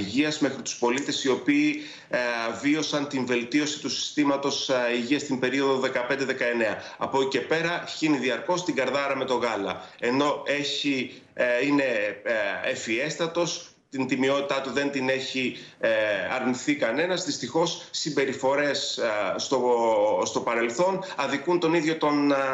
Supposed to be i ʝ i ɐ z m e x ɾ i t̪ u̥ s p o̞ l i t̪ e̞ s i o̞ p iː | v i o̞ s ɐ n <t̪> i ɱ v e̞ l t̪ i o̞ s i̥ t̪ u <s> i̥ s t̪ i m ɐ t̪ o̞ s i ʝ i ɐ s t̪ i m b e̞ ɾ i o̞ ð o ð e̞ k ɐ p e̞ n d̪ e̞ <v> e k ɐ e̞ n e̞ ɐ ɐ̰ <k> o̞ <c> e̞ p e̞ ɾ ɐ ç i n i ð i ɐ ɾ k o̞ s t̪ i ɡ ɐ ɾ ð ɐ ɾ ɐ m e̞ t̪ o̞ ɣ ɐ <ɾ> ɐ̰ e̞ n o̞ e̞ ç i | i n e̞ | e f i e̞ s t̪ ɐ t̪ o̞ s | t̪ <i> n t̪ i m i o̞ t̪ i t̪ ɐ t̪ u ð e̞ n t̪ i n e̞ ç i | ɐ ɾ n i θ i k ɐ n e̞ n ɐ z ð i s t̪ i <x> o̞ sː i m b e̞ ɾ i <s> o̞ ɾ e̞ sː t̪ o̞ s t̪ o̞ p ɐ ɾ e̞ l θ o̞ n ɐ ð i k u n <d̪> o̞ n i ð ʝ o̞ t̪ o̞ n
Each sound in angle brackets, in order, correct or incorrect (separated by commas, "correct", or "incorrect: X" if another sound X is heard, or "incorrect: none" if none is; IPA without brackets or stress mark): correct, correct, incorrect: ð, incorrect: p, correct, incorrect: l, correct, correct, incorrect: f, incorrect: t̪